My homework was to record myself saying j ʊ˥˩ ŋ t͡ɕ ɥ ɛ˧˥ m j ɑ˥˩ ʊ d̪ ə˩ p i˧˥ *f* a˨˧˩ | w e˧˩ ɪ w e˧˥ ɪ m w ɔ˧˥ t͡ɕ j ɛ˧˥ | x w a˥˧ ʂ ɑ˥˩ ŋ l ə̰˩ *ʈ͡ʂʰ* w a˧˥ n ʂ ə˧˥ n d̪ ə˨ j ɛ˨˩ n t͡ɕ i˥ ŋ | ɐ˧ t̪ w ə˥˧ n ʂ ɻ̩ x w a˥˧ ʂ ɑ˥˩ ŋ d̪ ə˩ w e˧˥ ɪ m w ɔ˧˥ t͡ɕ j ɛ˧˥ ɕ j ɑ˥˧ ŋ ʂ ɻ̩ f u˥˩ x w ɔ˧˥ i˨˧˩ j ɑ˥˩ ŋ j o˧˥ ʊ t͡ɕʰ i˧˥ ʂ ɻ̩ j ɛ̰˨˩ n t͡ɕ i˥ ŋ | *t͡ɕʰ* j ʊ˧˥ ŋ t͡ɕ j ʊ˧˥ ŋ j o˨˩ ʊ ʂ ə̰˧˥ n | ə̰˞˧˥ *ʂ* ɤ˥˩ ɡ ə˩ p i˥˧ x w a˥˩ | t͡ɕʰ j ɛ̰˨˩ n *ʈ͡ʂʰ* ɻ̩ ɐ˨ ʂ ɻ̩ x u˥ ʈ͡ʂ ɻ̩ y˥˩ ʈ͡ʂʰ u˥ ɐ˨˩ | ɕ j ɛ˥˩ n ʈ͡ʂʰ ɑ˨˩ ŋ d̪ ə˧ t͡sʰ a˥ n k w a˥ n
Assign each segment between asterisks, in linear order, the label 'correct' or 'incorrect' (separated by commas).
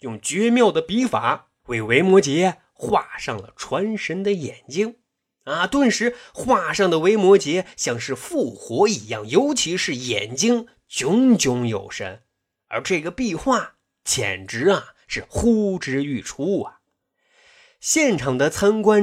correct, correct, incorrect, incorrect, incorrect